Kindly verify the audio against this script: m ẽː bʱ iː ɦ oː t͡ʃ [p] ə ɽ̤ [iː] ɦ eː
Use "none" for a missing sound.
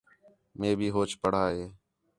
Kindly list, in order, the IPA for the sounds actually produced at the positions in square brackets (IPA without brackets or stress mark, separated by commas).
p, aː